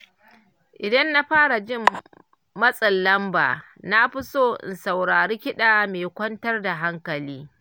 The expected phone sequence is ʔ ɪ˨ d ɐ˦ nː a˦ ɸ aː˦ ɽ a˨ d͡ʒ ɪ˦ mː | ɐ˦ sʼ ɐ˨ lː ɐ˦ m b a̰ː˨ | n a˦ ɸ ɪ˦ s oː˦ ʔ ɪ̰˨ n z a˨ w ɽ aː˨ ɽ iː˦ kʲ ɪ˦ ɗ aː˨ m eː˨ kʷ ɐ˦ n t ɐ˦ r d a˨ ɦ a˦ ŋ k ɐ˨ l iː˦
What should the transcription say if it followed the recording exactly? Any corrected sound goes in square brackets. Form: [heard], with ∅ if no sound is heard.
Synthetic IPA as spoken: ʔ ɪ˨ d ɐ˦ nː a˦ ɸ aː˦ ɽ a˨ d͡ʒ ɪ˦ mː | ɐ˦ sʼ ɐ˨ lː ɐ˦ m b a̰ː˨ | n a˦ ɸ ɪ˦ s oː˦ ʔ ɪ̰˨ n [s] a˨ w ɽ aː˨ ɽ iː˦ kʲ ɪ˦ ɗ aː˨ m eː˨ kʷ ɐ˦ n t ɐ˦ r d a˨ ɦ a˦ ŋ k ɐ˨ l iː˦